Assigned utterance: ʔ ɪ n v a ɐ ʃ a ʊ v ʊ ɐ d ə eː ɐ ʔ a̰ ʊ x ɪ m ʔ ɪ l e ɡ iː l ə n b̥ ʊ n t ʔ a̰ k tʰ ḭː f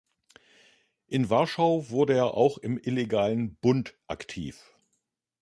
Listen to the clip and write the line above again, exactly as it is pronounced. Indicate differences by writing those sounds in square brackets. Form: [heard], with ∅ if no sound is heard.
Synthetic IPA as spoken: ʔ ɪ n v a ɐ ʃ a ʊ v ʊ ɐ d ə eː ɐ ʔ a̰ ʊ x ɪ m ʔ ɪ l e ɡ [aː] l ə n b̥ ʊ n t ʔ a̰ k tʰ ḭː f